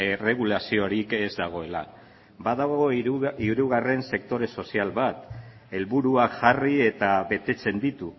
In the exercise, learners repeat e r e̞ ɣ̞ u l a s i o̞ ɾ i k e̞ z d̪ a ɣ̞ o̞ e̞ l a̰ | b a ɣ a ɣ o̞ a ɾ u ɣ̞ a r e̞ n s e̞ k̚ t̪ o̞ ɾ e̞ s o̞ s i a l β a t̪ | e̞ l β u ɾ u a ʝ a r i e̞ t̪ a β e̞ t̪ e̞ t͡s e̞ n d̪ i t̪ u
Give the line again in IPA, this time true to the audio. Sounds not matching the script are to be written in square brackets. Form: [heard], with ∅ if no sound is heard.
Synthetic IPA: e r e̞ ɣ̞ u l a s i o̞ ɾ i k e̞ z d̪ a ɣ̞ o̞ e̞ l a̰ | b a [ð] a ɣ o̞ [i] ɾ u ɣ̞ a r e̞ n s e̞ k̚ t̪ o̞ ɾ e̞ s o̞ s i a l β a t̪ | e̞ l β u ɾ u a ʝ a r i e̞ t̪ a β e̞ t̪ e̞ t͡s e̞ n d̪ i t̪ u